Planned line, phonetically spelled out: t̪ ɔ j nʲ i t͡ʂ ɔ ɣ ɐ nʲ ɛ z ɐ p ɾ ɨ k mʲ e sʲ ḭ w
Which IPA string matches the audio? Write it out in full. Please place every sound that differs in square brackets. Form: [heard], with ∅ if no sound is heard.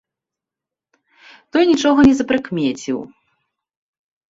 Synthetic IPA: t̪ ɔ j nʲ i t͡ʂ ɔ ɣ ɐ nʲ ɛ z ɐ p ɾ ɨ k mʲ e [t͡sʲ] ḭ w

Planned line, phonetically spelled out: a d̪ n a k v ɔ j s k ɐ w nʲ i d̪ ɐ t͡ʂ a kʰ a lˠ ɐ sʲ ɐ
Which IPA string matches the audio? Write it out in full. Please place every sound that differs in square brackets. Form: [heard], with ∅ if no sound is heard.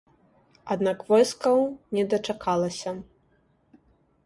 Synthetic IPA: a d̪ n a k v ɔ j s k ɐ w nʲ [ɛ] d̪ ɐ t͡ʂ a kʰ a lˠ ɐ sʲ ɐ

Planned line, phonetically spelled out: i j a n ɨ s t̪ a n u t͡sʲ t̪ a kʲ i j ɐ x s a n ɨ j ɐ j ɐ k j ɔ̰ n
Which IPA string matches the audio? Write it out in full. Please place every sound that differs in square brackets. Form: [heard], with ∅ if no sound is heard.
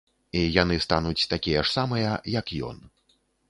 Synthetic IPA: i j a n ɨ s t̪ a n u t͡sʲ t̪ a kʲ i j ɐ [ʂ] s a [m] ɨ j ɐ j ɐ k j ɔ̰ n

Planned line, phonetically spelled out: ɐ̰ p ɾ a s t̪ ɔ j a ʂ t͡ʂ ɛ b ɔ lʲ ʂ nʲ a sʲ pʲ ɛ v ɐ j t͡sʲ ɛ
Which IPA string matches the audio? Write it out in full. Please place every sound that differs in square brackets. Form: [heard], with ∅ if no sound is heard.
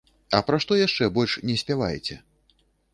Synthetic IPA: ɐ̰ p ɾ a [ʂ] t̪ ɔ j a ʂ t͡ʂ ɛ b ɔ lʲ ʂ nʲ [ɛ] sʲ pʲ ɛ v [a] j t͡sʲ ɛ

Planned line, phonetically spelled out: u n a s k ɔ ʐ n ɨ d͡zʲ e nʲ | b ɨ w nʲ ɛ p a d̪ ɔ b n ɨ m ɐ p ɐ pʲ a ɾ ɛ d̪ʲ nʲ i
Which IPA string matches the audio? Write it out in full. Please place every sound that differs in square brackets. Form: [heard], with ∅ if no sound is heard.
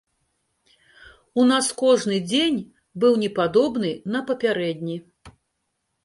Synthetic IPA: u n a s k ɔ ʐ n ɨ d͡zʲ e nʲ | b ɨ w nʲ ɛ p a d̪ ɔ b n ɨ [n] ɐ p ɐ pʲ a ɾ ɛ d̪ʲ nʲ i

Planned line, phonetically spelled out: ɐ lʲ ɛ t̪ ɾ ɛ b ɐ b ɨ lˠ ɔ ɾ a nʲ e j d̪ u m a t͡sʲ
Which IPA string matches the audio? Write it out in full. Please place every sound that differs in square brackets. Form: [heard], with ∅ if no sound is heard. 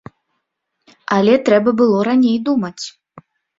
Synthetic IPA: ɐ lʲ ɛ t̪ ɾ ɛ b ɐ b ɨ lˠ ɔ ɾ a nʲ e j d̪ u m [ɐ] t͡sʲ

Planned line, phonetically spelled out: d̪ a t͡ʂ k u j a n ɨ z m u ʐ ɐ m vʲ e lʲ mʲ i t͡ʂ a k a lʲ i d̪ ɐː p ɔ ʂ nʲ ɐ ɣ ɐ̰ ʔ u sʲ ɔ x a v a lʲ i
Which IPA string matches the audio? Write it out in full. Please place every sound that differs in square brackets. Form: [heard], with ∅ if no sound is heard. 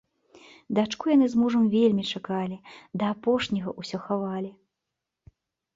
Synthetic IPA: d̪ a t͡ʂ k u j a n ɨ z m u ʐ ɐ m vʲ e lʲ mʲ i t͡ʂ a k a lʲ i d̪ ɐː p ɔ ʂ nʲ ɐ ɣ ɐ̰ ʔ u sʲ ɔ x a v a lʲ i

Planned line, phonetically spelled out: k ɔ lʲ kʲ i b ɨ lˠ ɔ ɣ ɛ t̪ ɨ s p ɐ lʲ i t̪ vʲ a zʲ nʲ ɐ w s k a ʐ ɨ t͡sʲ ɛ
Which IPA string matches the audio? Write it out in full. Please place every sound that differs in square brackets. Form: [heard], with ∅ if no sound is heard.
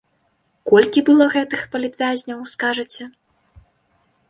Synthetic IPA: k ɔ lʲ kʲ i b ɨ lˠ ɔ ɣ ɛ t̪ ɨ [x] p ɐ lʲ i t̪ vʲ a zʲ nʲ ɐ w s k a ʐ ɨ t͡sʲ ɛ

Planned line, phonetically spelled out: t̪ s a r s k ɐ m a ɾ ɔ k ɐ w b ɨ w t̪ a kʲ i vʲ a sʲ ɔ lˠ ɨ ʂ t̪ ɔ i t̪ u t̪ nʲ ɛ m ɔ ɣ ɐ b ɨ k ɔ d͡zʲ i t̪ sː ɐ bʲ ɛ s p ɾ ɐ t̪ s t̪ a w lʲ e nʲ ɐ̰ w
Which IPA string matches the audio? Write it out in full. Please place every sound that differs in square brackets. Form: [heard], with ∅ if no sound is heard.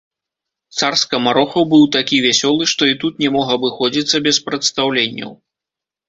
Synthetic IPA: t̪ s a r s k ɐ m a ɾ ɔ [x] ɐ w b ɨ w t̪ a kʲ i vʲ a sʲ ɔ lˠ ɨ ʂ t̪ ɔ i t̪ u t̪ nʲ ɛ m ɔ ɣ ɐ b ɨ [x] ɔ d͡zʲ i t̪ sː ɐ bʲ ɛ s p ɾ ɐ t̪ s t̪ a w lʲ e [nʲː] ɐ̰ w

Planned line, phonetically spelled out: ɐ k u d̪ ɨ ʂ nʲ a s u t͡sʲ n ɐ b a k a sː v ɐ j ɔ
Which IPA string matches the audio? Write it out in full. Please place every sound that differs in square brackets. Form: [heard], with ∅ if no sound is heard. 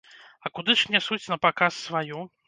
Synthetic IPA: ɐ k u d̪ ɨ ʂ nʲ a s u t͡sʲ n ɐ [p] a k a sː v [a] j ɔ

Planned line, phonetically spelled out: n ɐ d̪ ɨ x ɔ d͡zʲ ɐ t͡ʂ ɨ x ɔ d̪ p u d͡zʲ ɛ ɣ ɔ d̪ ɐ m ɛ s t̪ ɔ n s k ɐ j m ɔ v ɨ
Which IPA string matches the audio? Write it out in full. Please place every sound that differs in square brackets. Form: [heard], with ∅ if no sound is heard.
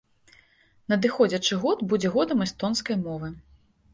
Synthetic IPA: n ɐ d̪ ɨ x ɔ d͡zʲ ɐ t͡ʂ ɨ [ɣ] ɔ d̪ [b] u d͡zʲ ɛ ɣ ɔ d̪ ɐ m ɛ s t̪ ɔ n s k ɐ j m ɔ v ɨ

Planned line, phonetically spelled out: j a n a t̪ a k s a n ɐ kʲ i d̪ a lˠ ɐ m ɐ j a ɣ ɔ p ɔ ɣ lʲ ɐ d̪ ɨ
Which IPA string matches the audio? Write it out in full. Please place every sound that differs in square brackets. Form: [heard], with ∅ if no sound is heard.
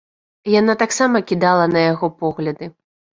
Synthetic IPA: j a n a t̪ a k s a [m] ɐ kʲ i d̪ a lˠ ɐ [n] ɐ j a ɣ ɔ p ɔ ɣ lʲ ɐ d̪ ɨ

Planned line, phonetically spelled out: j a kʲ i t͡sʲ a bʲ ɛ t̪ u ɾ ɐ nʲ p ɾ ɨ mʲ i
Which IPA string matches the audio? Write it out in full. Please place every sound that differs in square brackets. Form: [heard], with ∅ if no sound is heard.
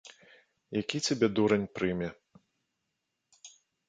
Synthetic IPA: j a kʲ i t͡sʲ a bʲ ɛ [d̪] u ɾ ɐ nʲ p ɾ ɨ mʲ [ɛ]

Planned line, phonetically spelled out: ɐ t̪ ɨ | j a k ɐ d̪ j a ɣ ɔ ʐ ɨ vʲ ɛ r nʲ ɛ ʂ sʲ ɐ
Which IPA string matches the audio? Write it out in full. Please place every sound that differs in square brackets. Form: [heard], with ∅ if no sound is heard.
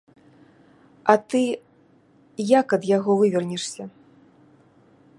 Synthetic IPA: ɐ t̪ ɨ | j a k ɐ d̪ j a ɣ ɔ [v] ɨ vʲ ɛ r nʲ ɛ ʂ sʲ ɐ

